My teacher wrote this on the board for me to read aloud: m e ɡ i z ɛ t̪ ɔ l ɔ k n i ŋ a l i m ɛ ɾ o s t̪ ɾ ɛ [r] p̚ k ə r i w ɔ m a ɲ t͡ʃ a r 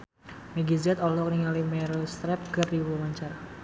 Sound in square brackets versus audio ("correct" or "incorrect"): incorrect